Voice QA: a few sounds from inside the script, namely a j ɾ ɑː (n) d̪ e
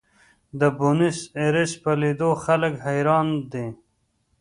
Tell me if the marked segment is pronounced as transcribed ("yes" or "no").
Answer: yes